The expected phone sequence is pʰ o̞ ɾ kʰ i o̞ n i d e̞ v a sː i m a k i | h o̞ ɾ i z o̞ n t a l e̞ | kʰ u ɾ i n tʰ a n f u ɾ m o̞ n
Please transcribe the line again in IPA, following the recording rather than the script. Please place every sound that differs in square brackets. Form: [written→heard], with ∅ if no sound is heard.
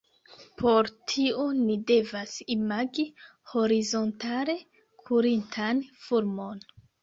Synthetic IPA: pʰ o̞ ɾ [kʰ→tʰ] i o̞ n i d e̞ v a [sː→s] i m a [k→ɡ] i | h o̞ ɾ i z o̞ n t a l e̞ | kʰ u ɾ i n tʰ a n f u ɾ m o̞ n